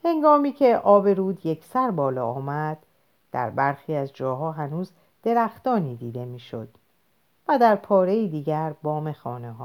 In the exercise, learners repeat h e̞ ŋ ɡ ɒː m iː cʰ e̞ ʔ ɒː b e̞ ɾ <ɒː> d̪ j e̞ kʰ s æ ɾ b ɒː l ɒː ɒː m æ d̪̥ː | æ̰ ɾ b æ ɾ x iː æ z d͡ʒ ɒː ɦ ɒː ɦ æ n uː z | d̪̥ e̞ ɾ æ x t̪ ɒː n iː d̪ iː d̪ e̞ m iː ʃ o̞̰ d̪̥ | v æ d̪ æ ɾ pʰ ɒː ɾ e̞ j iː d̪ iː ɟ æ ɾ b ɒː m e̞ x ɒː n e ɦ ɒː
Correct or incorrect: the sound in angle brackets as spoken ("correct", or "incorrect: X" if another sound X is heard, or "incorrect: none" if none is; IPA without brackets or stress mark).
incorrect: uː